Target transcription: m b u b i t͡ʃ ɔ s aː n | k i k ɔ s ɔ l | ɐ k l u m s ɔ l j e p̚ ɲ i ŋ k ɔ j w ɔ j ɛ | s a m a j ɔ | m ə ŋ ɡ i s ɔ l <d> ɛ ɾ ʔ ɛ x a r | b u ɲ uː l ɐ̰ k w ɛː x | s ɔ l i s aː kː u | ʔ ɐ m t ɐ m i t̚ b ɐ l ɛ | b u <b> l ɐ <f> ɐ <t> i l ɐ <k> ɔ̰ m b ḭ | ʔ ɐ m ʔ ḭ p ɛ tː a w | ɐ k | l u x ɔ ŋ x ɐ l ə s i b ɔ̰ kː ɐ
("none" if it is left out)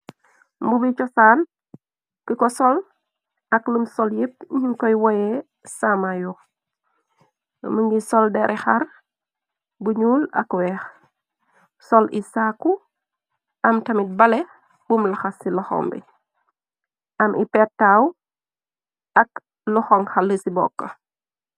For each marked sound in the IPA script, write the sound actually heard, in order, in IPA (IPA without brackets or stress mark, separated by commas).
d, m, x, s, x